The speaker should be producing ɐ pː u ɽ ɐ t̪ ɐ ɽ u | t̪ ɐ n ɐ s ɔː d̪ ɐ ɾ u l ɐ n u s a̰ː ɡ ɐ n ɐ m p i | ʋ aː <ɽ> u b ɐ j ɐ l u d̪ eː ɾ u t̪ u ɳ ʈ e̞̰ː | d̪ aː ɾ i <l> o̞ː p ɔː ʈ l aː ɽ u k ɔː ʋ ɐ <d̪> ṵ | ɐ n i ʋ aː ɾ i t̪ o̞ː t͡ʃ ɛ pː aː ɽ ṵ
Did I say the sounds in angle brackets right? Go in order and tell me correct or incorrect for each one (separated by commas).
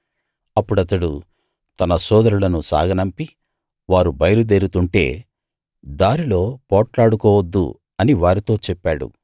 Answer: incorrect, correct, incorrect